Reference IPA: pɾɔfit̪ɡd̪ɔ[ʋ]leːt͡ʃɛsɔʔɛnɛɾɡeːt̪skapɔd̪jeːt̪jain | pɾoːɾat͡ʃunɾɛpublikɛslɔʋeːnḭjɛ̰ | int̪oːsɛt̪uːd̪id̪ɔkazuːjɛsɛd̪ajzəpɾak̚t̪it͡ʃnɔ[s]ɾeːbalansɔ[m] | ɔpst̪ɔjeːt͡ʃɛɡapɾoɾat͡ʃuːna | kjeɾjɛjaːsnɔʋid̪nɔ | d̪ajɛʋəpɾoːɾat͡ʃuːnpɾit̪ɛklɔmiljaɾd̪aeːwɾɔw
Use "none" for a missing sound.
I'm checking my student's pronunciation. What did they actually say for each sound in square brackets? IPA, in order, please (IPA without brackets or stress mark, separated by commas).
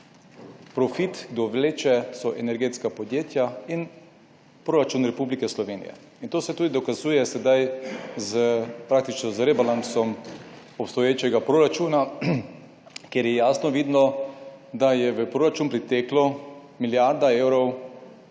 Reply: ʋ, z, m